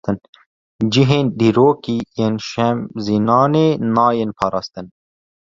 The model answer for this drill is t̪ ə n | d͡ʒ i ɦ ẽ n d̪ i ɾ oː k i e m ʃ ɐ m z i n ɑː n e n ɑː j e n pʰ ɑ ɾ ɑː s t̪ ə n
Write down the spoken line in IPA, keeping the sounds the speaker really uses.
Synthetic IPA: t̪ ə n | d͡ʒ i ɦ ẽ n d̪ i ɾ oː k i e n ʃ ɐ m z i n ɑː n e n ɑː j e n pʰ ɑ ɾ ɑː s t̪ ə n